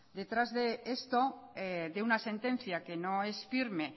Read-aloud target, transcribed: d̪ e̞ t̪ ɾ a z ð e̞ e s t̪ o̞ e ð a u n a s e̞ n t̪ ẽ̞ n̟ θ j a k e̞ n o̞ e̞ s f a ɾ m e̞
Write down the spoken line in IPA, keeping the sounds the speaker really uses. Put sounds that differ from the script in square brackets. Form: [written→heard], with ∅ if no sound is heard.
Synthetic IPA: d̪ e̞ t̪ ɾ a z ð e̞ e s t̪ o̞ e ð [a→e] u n a s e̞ n t̪ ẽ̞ n̟ θ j a k e̞ n o̞ e̞ s f [a→i] ɾ m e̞